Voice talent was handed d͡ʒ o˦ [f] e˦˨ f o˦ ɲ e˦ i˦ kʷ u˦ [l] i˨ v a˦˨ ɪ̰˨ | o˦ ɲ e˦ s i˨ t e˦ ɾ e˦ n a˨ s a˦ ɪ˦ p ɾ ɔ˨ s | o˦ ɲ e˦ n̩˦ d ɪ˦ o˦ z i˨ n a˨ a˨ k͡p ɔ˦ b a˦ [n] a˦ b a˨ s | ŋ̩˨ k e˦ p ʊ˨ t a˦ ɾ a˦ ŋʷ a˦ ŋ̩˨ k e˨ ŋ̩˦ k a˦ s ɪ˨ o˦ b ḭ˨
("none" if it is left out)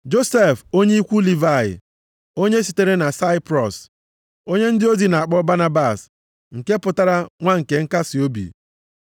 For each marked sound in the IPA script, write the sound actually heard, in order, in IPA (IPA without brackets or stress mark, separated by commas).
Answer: s, l, n